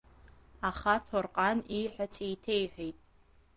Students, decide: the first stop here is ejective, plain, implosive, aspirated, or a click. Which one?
aspirated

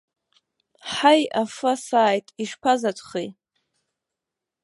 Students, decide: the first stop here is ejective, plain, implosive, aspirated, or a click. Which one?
ejective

